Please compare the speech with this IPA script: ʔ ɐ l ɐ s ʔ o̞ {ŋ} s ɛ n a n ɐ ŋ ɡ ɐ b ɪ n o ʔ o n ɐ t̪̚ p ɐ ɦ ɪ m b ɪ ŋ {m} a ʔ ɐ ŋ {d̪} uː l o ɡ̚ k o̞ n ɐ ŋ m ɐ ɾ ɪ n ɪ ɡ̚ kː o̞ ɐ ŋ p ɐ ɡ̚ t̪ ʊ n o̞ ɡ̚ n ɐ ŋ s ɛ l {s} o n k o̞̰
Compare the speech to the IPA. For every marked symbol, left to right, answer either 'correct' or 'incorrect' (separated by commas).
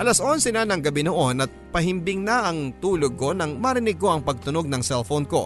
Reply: incorrect, incorrect, incorrect, incorrect